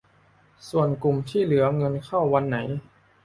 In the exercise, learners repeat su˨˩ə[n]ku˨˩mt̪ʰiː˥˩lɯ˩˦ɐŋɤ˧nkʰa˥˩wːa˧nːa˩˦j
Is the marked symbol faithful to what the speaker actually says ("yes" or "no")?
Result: yes